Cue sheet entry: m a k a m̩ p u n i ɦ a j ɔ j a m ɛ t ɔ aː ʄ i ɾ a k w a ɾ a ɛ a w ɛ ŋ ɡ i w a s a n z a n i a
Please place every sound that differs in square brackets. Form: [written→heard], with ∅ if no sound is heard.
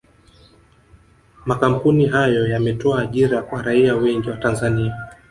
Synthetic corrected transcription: m a k a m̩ p u n i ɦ a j ɔ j a m ɛ t ɔ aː ʄ i ɾ a k w a ɾ a [ɛ→i] a w ɛ ŋ ɡ i w a [s→t] a n z a n i a